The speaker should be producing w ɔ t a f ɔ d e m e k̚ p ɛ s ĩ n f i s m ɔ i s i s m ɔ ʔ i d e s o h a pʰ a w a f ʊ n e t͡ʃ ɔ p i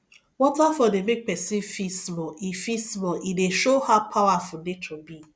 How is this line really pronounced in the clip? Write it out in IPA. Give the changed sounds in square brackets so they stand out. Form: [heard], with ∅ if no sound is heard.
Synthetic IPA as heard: w ɔ t a f ɔ d e m e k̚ p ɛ s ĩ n f i s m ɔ i [f] i s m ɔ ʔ i d e [ʃ] o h a pʰ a w a f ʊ n e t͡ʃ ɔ [b] i